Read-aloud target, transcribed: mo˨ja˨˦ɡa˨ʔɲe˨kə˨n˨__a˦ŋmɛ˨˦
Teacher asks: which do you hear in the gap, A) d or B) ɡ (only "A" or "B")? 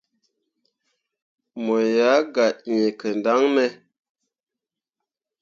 A